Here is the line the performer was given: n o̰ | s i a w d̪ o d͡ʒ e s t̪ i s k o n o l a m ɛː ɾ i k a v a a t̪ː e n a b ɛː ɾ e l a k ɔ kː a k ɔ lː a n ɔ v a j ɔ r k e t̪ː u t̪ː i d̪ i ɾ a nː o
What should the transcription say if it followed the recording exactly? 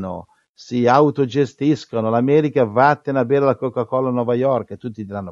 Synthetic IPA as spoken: n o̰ | s i a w t̪ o d͡ʒ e s t̪ i s k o n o l a m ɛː ɾ i k a v a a t̪ː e n a b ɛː ɾ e l a k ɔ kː a k ɔ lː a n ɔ v a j ɔ r k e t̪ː u t̪ː i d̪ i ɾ a nː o